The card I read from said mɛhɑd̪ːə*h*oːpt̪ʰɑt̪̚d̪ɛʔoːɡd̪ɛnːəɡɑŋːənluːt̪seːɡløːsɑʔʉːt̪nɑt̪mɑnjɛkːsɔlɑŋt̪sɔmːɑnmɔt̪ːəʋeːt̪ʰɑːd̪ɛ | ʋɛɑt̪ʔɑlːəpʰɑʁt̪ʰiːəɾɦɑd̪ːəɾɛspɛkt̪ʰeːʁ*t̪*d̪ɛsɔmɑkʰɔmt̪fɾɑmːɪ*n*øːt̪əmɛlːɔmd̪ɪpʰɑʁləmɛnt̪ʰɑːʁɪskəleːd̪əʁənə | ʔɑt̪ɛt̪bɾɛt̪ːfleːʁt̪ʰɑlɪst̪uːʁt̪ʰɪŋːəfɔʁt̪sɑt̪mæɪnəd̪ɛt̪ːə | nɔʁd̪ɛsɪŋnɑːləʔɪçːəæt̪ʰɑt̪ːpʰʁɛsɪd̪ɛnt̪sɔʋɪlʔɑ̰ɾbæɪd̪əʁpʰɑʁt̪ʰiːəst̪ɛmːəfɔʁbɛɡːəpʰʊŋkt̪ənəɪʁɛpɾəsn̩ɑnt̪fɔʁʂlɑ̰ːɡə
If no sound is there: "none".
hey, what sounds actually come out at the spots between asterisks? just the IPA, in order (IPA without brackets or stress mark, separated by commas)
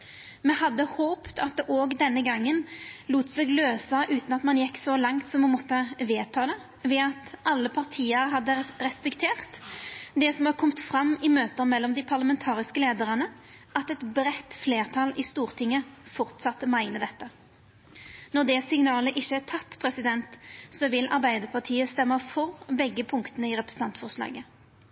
h, t̪, m